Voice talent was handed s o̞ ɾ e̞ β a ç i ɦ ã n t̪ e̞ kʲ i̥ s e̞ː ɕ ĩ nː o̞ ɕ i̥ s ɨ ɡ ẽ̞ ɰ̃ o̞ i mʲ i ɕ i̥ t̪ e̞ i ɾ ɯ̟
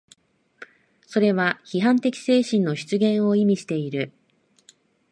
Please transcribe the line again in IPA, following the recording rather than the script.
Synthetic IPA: s o̞ ɾ e̞ β a ç i ɦ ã n t̪ e̞ kʲ i̥ s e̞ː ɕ ĩ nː o̞ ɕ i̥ t͡s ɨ ɡ ẽ̞ ɰ̃ o̞ i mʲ i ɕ i̥ t̪ e̞ i ɾ ɯ̟